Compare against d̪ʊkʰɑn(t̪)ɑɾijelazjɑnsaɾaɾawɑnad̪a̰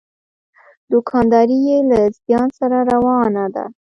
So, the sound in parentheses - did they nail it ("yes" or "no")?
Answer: no